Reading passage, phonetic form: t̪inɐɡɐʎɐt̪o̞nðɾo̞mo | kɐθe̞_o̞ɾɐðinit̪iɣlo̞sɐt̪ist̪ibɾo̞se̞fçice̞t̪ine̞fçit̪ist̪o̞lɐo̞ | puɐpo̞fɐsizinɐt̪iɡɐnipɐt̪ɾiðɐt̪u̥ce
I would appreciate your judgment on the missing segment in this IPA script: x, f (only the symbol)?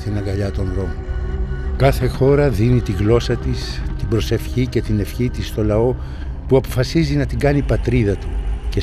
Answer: x